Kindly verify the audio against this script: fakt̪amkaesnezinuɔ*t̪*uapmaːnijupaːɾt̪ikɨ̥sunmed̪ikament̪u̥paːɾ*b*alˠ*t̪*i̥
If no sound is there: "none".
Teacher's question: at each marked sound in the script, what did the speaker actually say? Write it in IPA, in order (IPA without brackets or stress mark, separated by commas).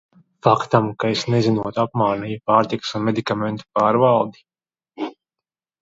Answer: t̪, v, d̪